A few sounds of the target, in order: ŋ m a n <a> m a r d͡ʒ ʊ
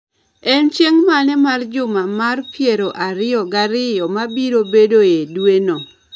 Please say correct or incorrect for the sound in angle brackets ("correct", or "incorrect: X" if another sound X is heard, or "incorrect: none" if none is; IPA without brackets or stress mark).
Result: incorrect: ɛ